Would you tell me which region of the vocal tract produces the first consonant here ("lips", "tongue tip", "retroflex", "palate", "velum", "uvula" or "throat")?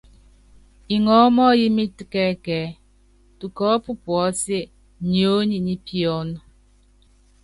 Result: velum